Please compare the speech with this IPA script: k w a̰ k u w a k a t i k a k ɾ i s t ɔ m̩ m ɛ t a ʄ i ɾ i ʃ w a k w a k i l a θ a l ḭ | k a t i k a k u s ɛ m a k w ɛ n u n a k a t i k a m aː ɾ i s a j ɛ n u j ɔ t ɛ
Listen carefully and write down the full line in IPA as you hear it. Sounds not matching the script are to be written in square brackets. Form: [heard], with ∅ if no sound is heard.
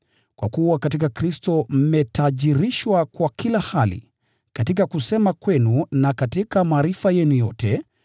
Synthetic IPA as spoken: k w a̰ k u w a k a t i k a k ɾ i s t ɔ m̩ m ɛ t a ʄ i ɾ i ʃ w a k w a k i l a [h] a l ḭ | k a t i k a k u s ɛ m a k w ɛ n u n a k a t i k a m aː ɾ i [f] a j ɛ n u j ɔ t ɛ